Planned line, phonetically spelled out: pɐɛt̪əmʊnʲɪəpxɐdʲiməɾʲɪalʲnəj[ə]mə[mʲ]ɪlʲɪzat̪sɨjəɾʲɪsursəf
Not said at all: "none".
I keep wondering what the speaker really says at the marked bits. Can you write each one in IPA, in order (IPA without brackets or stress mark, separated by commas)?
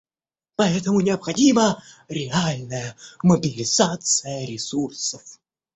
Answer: ə, bʲ